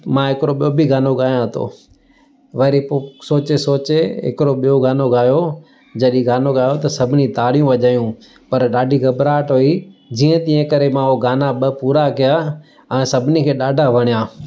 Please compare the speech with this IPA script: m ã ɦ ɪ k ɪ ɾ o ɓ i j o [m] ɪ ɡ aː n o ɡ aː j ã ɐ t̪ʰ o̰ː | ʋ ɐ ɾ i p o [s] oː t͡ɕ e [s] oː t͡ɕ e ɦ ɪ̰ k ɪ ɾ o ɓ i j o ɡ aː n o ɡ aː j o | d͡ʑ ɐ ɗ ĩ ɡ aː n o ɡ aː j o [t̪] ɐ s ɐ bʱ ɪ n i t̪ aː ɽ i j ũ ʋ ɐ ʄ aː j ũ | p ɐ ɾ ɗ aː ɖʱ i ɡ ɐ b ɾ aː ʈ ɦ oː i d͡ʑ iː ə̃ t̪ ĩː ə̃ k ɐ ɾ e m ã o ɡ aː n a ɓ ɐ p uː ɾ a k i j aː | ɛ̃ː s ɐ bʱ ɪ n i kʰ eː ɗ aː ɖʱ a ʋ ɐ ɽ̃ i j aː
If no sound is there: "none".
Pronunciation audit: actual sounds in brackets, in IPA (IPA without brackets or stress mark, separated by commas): b, s, s, t̪